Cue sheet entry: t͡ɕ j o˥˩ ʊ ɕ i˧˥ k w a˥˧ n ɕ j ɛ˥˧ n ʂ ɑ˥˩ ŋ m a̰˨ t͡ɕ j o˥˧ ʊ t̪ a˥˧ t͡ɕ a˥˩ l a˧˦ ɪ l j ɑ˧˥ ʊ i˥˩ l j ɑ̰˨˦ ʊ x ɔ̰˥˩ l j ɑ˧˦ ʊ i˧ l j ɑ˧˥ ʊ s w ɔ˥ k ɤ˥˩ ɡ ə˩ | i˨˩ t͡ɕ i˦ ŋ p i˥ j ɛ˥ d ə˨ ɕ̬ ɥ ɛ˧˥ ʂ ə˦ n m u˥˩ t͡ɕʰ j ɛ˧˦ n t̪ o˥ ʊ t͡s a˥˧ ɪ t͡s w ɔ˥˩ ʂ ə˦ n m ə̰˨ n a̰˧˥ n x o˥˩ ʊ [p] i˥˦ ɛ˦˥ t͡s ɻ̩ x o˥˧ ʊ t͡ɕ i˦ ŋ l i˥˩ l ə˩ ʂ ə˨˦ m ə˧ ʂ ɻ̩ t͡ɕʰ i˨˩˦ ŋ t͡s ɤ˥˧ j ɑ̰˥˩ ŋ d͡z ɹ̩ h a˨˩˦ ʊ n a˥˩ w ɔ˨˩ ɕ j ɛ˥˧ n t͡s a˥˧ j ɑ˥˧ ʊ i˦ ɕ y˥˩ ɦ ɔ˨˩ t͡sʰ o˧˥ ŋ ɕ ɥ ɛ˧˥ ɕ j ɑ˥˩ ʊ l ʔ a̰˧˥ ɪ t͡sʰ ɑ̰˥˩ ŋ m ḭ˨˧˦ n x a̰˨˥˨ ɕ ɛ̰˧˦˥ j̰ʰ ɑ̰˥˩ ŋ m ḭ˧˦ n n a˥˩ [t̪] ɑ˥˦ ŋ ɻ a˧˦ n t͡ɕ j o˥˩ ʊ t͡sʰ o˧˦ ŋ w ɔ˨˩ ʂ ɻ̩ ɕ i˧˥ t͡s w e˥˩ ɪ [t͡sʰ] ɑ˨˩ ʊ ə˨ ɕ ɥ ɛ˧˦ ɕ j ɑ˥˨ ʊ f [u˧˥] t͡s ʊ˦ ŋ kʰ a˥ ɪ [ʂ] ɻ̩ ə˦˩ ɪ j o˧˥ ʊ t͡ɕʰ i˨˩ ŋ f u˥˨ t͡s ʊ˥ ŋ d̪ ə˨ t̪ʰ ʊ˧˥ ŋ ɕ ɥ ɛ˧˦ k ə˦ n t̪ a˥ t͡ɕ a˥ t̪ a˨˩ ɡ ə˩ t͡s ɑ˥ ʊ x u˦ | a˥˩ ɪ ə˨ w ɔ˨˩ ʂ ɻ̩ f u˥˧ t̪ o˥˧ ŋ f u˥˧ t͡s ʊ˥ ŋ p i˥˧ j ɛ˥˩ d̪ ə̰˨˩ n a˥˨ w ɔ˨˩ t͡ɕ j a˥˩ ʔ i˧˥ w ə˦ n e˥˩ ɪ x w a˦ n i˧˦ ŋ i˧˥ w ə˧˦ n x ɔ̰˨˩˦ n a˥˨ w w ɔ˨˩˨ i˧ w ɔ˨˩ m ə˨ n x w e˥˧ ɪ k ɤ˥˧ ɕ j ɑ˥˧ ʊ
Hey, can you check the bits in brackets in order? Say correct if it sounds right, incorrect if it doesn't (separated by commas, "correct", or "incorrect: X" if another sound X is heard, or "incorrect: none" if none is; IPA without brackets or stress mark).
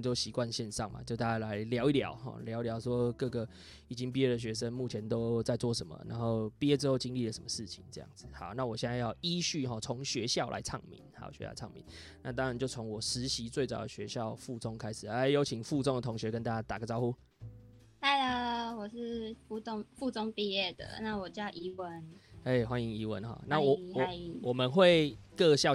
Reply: correct, correct, incorrect: t͡s, incorrect: u˥˩, correct